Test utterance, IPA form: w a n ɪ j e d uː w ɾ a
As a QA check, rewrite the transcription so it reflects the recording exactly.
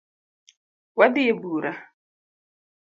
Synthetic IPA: w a d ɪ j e b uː ɾ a